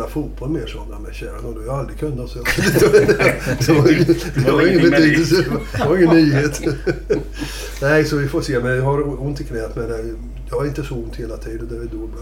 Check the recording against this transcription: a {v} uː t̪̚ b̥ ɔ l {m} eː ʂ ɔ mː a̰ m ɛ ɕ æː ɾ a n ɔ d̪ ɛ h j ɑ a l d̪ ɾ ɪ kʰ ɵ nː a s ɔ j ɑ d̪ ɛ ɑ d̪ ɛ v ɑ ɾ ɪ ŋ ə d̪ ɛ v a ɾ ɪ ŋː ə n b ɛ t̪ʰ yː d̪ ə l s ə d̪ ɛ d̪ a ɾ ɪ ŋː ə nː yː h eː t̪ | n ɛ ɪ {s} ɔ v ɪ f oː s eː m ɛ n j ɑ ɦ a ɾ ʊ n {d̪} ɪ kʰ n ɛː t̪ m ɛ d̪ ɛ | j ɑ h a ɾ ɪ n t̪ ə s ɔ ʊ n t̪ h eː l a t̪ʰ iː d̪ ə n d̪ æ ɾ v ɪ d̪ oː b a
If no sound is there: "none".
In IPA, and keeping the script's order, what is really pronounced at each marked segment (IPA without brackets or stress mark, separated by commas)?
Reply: f, m, s, t̪